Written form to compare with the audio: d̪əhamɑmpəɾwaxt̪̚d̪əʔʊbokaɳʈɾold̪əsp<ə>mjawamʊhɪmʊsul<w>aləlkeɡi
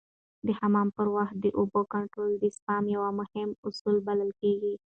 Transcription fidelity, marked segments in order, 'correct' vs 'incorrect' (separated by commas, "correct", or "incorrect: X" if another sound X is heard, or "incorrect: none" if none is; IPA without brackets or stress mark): incorrect: ɑ, incorrect: b